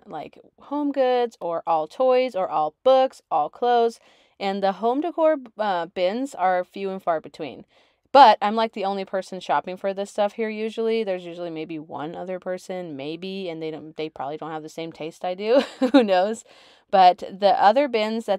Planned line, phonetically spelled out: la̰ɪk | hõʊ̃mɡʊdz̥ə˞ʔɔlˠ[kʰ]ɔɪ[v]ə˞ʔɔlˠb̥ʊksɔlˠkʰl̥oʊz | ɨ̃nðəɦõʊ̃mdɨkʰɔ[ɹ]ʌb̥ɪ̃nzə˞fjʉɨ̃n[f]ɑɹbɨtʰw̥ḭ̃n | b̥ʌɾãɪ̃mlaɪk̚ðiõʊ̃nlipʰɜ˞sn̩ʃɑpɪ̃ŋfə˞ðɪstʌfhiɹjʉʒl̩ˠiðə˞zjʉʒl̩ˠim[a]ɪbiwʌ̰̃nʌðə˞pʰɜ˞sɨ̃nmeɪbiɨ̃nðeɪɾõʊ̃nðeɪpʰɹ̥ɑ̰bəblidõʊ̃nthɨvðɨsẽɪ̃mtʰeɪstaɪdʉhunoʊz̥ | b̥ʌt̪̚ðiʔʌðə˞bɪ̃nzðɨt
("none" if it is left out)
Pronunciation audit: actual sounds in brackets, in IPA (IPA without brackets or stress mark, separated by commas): tʰ, z, ɹ, f, e